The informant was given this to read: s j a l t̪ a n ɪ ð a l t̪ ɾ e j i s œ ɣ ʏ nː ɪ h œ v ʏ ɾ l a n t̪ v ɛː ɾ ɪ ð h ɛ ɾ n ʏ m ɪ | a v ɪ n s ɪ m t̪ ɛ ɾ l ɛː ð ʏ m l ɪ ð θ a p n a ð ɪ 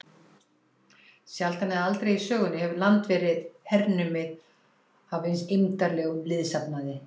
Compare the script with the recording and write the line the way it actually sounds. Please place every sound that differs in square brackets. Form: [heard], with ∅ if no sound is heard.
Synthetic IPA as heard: s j a l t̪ a n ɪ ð a l t̪ ɾ e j i s [œː] ɣ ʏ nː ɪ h [ɛ] v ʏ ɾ l a n t̪ v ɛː ɾ ɪ ð h ɛ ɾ n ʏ m ɪ | a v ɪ n s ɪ m t̪ [a] ɾ l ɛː [ɣ] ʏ m l ɪ ð [s] a p n a ð ɪ